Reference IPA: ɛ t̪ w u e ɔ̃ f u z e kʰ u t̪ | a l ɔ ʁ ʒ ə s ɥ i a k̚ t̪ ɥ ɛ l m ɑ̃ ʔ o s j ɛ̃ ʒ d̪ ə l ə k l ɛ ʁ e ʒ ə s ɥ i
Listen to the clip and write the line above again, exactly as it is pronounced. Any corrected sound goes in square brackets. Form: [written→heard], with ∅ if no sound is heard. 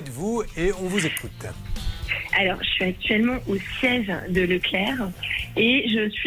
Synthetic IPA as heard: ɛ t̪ [w→v] u e ɔ̃ [f→v] u z e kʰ u t̪ | a l ɔ ʁ ʒ ə s ɥ i a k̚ t̪ ɥ ɛ l m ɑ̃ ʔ o s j [ɛ̃→ɛ] ʒ d̪ ə l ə k l ɛ ʁ e ʒ ə s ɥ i